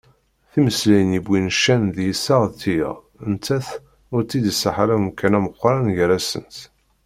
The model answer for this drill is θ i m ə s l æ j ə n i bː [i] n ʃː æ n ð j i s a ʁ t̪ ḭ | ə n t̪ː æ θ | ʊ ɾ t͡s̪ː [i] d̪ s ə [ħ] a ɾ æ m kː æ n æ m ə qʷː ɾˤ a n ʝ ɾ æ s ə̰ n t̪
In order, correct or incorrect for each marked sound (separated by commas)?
correct, correct, correct